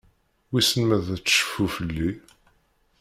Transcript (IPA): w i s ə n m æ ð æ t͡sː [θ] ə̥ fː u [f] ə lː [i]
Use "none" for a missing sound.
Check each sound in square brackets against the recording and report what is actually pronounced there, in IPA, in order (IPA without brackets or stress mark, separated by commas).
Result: ʃ, f, i